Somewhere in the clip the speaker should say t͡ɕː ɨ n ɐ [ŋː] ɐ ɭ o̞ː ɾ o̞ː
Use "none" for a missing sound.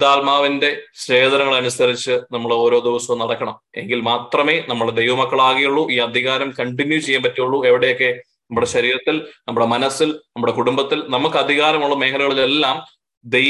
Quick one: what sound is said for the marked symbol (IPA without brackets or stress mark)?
mː